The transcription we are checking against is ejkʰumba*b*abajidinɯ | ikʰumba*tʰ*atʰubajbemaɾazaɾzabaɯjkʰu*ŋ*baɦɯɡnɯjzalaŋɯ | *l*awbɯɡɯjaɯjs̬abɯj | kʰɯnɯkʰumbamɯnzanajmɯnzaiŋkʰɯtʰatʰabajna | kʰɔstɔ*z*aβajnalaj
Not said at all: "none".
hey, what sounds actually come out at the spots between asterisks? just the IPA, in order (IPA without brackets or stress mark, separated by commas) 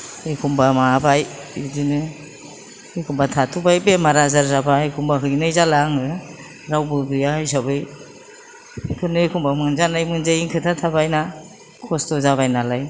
m, tʰ, m, ɾ, z